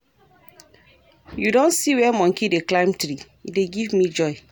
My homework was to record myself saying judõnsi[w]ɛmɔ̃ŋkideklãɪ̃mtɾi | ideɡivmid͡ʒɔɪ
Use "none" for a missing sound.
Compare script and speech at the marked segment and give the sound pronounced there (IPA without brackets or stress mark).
w